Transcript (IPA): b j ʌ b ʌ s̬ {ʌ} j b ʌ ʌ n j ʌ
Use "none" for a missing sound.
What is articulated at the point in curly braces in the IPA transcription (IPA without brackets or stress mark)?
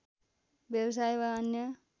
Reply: a